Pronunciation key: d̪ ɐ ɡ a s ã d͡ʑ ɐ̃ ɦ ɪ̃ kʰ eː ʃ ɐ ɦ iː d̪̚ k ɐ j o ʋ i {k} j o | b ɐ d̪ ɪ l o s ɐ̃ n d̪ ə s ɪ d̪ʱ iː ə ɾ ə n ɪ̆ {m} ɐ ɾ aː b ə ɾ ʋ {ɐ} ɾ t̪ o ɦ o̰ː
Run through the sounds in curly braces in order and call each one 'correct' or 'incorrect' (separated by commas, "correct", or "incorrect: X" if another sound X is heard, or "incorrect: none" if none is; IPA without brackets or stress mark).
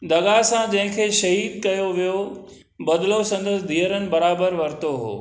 incorrect: none, incorrect: b, correct